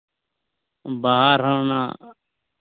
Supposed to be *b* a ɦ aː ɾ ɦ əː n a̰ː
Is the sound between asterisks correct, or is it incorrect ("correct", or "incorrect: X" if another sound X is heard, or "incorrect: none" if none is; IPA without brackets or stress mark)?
correct